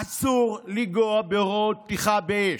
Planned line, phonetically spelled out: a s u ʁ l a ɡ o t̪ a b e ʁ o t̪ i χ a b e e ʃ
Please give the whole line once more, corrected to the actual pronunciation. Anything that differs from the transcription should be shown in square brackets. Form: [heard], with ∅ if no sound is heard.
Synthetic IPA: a s u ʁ l [i] ɡ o [∅] a b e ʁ o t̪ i χ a b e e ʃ